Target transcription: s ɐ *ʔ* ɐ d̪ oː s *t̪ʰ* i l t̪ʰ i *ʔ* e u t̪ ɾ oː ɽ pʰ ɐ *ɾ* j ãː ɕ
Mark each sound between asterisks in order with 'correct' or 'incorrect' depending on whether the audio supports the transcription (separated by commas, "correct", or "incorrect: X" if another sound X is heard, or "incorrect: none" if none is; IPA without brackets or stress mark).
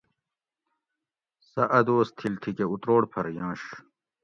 correct, correct, incorrect: k, correct